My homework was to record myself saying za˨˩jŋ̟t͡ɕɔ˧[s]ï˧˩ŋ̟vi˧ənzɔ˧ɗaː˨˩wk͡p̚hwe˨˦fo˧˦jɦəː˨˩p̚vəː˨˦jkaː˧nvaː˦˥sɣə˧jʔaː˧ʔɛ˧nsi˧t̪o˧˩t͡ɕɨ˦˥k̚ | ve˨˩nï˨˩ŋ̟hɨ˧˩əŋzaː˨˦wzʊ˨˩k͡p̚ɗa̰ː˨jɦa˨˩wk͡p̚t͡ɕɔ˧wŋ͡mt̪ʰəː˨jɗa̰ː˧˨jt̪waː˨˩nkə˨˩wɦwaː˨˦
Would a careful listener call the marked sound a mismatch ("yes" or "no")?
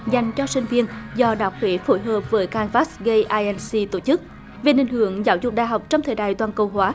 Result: no